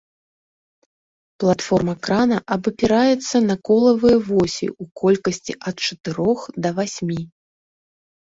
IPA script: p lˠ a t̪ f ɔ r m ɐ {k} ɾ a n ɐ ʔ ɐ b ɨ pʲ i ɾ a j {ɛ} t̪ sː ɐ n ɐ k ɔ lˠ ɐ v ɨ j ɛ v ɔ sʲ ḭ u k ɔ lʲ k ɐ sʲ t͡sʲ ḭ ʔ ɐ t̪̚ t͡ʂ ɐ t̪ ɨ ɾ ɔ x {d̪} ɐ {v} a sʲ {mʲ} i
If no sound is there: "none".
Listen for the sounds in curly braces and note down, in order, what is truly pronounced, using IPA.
k, ɛ, d̪, v, mʲ

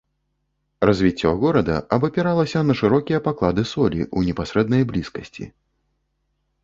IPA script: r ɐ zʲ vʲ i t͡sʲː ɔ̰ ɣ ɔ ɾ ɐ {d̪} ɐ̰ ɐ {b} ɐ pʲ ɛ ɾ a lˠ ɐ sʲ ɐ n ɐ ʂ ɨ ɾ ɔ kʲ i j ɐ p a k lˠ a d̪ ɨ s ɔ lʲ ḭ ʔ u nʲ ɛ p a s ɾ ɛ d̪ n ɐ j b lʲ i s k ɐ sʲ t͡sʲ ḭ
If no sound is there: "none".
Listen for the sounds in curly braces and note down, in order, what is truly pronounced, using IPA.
d̪, b

